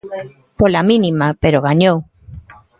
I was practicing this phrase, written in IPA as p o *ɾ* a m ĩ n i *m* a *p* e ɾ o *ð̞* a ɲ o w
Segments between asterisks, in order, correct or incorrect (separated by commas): incorrect, correct, correct, incorrect